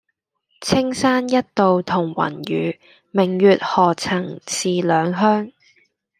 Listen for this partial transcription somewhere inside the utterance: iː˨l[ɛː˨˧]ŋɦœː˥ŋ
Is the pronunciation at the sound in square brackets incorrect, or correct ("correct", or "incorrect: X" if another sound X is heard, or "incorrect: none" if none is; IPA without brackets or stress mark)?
incorrect: œː˨˧